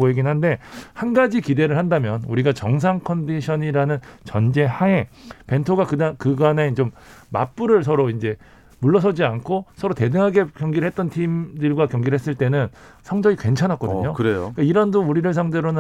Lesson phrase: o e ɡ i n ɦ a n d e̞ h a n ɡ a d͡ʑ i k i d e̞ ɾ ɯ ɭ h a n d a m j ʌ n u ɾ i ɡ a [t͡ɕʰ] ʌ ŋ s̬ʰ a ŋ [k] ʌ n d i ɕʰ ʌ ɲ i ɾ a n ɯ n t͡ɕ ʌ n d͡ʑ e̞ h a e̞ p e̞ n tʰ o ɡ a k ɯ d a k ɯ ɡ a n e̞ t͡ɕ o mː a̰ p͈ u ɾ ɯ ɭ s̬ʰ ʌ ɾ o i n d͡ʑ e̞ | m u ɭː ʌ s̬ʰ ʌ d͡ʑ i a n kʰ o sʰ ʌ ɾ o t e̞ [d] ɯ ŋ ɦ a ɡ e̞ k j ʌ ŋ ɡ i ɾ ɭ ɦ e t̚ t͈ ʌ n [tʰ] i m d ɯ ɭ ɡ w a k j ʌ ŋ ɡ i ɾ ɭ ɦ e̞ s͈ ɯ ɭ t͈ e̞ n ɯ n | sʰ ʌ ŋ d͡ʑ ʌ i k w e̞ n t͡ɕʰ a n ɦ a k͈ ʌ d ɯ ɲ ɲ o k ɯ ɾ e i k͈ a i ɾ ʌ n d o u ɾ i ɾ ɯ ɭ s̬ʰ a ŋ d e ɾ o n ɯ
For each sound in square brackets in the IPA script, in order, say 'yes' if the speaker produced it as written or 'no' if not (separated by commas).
no, no, yes, yes